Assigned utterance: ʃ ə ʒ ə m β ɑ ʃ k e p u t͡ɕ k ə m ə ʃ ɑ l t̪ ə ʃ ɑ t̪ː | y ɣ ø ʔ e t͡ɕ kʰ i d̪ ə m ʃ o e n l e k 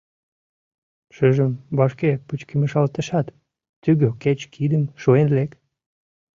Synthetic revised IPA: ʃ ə ʒ ə m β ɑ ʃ k e p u t͡ɕ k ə m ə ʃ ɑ l t̪ ə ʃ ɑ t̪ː | y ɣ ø k e t͡ɕ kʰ i d̪ ə m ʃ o e n l e k